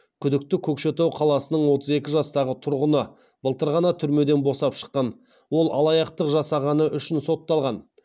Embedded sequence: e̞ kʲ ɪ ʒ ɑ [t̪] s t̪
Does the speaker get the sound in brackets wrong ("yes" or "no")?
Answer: yes